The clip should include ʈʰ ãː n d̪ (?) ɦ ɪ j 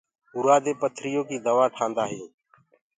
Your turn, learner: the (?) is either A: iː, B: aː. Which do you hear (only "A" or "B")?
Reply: B